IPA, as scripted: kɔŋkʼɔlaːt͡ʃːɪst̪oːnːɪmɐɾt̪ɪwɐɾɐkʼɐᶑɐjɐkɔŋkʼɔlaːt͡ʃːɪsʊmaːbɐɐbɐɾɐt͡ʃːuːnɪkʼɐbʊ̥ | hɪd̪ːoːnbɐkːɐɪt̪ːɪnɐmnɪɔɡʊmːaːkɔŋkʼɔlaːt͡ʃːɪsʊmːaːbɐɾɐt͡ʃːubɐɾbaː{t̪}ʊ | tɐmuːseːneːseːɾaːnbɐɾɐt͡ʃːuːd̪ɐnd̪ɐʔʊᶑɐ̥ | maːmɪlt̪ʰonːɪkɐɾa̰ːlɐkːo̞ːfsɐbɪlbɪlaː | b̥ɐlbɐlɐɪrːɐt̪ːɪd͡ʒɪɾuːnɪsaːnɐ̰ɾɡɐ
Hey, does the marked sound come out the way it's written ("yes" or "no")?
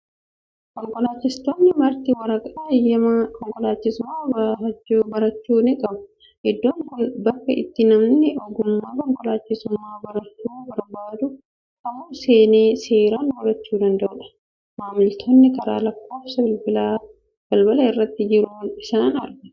no